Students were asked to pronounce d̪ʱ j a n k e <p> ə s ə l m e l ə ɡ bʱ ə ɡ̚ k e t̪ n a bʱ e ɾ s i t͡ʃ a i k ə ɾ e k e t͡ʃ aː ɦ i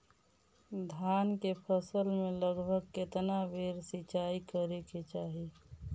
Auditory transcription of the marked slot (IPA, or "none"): pʰ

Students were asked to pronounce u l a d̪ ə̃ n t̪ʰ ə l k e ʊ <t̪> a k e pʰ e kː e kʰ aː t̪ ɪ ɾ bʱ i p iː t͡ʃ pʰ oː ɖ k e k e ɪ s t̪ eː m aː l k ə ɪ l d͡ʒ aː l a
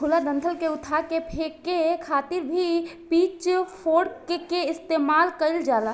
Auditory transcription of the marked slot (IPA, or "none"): t̪ʰ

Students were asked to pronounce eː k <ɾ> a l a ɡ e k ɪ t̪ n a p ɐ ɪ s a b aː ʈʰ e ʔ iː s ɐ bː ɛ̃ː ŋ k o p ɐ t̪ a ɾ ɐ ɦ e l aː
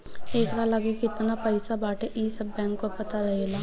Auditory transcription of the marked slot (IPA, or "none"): ɾ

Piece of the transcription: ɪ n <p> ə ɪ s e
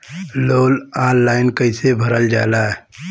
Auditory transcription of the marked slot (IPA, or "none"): k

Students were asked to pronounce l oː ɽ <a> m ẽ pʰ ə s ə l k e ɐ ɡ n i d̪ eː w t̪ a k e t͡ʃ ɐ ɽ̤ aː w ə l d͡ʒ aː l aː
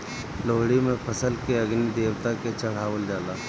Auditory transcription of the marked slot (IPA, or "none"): i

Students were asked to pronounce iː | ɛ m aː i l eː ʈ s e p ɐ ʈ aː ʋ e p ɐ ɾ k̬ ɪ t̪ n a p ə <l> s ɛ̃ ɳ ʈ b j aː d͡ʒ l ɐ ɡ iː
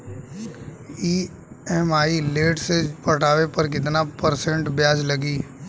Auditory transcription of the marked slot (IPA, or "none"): ɾ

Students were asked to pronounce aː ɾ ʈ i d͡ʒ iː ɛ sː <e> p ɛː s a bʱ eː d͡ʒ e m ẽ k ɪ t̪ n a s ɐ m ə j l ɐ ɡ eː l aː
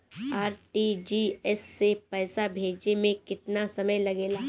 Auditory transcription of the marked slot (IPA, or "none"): e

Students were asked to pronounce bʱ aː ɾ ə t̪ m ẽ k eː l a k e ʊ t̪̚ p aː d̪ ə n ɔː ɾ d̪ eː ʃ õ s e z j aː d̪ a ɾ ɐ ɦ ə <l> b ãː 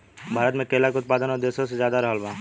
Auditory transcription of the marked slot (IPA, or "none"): l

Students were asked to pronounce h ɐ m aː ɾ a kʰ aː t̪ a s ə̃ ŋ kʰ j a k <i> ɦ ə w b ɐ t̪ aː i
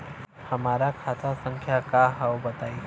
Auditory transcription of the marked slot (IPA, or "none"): a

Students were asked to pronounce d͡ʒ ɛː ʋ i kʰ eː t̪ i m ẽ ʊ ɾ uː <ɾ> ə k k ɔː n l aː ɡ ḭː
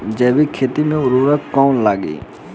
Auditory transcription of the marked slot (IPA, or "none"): ɾ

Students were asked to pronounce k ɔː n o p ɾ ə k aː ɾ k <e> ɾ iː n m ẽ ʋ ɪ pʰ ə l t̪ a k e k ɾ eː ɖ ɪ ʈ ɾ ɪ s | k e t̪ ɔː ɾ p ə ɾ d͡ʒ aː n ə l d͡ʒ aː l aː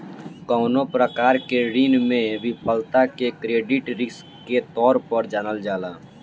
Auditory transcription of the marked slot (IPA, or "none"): e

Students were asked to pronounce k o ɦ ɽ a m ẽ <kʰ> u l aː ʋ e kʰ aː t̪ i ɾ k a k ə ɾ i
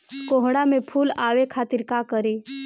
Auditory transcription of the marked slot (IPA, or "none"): pʰ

